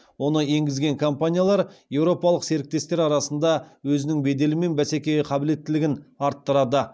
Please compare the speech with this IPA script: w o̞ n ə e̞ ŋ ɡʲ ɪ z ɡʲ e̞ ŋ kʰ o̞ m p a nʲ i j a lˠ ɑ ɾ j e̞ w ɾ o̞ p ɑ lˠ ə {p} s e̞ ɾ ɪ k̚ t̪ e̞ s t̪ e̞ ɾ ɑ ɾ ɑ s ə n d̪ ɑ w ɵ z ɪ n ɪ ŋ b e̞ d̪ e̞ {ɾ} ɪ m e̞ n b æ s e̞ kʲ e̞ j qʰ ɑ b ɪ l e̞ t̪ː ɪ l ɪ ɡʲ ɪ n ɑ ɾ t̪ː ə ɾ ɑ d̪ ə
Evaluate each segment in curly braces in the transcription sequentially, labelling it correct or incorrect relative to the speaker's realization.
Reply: incorrect: q, incorrect: l

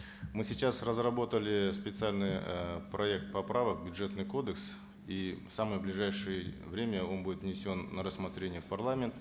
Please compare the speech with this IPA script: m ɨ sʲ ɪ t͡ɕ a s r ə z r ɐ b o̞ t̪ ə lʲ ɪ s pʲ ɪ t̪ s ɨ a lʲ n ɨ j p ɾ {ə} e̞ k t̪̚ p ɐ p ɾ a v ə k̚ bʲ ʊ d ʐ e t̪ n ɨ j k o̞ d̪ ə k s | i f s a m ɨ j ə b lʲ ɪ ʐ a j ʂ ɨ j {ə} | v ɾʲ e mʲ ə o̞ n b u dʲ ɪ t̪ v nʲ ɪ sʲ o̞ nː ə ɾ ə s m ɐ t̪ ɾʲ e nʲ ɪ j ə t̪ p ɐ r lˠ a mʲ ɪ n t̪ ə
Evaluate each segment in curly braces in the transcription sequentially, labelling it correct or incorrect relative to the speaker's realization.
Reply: incorrect: ɐ, correct

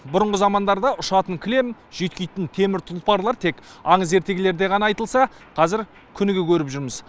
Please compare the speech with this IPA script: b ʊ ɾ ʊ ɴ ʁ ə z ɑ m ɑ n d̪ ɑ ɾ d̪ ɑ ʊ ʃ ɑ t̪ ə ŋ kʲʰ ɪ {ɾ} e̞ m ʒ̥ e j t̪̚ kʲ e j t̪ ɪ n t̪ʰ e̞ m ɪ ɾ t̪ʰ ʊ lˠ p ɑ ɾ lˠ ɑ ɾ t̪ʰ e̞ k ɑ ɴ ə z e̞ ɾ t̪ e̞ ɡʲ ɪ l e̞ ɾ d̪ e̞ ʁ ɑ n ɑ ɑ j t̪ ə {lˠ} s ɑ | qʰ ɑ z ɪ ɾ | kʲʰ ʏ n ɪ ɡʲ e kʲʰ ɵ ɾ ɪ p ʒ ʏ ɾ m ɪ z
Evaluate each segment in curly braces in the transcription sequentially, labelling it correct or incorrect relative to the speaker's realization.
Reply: incorrect: l, correct

